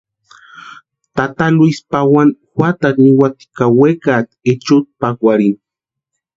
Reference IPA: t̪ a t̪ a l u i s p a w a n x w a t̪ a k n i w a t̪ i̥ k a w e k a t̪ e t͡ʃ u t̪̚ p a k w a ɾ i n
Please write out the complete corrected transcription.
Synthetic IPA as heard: t̪ a t̪ a l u i s p a w a n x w a t̪ a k n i w a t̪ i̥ k a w e k a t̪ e t͡ʃ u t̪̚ p a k w a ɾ i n